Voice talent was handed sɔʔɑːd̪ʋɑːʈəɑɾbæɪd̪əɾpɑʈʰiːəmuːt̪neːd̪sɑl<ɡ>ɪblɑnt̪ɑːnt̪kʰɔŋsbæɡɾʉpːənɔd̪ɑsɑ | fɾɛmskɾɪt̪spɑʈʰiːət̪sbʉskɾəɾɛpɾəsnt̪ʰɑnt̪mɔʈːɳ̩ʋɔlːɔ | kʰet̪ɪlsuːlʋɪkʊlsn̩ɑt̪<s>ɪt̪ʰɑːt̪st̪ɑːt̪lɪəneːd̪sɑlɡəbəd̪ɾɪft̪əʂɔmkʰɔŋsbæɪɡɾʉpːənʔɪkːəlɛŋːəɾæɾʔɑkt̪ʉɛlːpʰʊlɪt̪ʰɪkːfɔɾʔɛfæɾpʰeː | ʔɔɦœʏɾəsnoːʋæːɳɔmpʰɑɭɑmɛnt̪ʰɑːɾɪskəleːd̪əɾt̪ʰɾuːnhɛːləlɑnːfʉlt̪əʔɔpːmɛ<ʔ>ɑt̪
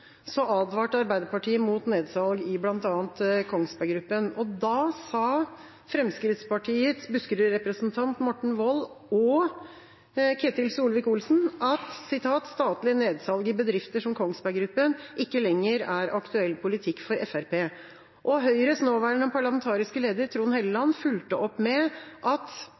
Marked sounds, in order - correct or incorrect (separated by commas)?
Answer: correct, correct, correct